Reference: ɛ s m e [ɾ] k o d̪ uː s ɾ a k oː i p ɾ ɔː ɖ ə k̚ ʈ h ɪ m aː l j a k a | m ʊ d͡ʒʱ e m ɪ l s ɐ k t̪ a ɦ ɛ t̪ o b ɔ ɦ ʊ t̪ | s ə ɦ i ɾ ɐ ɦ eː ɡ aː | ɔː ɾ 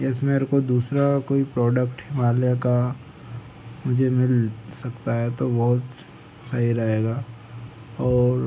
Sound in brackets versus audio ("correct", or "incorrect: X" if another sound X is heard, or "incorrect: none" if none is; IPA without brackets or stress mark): correct